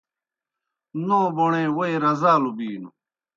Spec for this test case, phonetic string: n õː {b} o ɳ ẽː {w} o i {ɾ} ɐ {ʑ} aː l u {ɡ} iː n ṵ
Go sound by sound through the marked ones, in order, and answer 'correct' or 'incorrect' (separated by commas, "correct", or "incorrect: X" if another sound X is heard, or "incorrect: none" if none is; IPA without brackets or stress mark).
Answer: correct, correct, correct, incorrect: z, incorrect: b